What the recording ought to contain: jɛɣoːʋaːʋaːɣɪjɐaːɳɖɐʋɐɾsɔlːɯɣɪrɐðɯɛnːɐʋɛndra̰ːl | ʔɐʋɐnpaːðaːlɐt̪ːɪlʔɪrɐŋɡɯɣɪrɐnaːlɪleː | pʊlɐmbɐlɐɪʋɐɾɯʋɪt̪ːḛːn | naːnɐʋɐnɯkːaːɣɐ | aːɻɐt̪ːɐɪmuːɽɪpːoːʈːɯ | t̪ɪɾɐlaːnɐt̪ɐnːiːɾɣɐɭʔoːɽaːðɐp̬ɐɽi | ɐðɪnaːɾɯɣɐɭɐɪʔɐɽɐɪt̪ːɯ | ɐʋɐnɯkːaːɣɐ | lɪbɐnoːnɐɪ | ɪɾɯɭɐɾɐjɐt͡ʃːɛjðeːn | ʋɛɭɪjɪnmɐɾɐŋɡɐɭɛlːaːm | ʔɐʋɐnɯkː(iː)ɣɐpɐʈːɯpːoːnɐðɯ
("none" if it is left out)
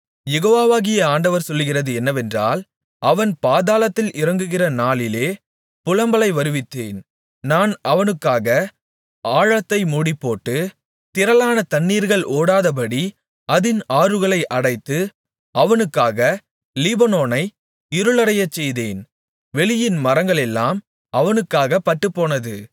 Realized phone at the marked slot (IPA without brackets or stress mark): aː